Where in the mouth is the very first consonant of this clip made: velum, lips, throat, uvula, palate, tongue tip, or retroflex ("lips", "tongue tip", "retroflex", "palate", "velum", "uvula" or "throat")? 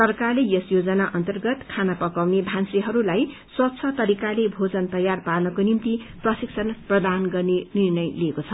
tongue tip